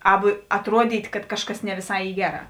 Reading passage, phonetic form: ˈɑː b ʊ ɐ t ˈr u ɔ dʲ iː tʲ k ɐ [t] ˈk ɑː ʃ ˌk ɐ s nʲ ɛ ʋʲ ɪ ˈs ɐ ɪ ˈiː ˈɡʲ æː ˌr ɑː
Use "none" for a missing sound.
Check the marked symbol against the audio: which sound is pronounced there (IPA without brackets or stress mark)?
t